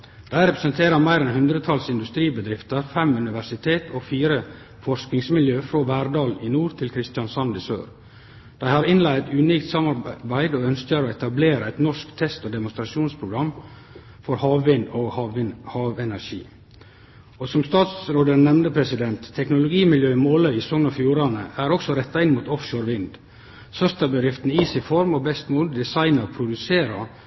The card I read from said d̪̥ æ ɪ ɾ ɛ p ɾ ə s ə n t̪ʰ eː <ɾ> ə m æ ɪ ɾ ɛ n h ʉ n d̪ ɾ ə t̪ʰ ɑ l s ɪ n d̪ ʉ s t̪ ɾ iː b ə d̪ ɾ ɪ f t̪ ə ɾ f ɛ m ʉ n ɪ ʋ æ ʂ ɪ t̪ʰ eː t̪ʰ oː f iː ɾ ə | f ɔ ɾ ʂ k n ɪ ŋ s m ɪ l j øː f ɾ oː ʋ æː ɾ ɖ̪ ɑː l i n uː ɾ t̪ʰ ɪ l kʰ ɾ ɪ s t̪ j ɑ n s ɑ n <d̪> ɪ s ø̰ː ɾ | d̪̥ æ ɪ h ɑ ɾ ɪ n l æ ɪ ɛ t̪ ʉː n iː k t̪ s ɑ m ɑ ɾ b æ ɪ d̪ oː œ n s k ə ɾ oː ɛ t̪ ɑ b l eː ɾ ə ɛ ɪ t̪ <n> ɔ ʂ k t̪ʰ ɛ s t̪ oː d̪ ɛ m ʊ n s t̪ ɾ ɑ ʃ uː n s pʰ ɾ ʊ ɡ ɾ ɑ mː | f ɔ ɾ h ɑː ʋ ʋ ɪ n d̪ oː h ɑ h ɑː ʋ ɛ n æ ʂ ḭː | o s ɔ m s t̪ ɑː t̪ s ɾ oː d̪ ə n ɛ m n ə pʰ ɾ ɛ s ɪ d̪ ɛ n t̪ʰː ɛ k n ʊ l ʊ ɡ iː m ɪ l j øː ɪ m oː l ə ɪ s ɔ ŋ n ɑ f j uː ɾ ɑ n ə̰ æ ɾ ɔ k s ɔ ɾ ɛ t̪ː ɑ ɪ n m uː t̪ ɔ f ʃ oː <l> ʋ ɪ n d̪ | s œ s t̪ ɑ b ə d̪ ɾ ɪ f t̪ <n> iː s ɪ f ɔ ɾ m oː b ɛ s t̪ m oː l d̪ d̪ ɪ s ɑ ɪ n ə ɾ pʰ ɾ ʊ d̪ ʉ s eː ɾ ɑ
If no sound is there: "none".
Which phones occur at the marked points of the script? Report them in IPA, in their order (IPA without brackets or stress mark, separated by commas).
ɾ, d̪, n, ɾ, n